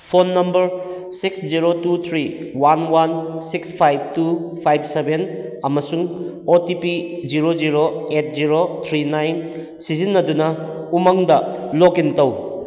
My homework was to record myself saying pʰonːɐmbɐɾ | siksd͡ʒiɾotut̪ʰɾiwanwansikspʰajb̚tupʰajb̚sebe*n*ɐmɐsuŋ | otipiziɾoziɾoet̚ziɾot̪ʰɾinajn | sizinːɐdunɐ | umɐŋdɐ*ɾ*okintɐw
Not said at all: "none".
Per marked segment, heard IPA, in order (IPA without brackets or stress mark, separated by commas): n, l